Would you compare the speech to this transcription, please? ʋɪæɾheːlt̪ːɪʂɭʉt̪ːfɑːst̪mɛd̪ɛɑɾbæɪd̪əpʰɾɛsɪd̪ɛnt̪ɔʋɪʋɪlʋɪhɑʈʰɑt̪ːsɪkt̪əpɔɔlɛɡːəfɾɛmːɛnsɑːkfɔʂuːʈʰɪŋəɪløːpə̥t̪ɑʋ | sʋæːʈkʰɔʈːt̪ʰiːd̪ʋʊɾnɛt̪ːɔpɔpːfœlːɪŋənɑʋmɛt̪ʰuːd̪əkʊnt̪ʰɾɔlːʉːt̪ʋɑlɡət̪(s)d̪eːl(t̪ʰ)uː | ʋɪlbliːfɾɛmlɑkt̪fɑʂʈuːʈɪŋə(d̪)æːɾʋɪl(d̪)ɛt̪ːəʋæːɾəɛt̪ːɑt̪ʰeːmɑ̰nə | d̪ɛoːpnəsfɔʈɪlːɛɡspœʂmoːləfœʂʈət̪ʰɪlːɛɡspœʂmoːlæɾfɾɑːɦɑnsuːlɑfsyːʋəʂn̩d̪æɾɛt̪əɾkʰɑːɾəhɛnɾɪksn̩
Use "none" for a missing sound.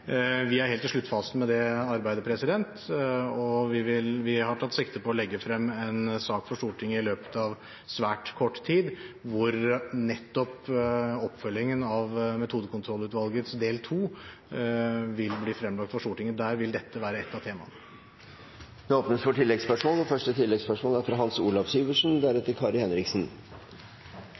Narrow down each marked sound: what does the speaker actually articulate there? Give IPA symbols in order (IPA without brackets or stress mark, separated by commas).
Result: s, t̪ʰ, d̪, d̪